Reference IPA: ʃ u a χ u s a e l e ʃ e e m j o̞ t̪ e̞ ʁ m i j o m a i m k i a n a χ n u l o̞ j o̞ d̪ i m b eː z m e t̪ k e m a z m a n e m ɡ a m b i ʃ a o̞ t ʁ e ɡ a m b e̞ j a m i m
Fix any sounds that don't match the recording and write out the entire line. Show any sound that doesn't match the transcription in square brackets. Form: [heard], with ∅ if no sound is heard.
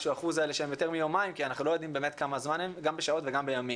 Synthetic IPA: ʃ u a χ u [z] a e l e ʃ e e m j o̞ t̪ e̞ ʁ m i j o m a i m k i a n a χ n u l o̞ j o̞ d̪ i m b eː [∅] m e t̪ k [a] m a z m a n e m ɡ a m b [e] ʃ a o̞ t [v] e ɡ a m b e̞ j a m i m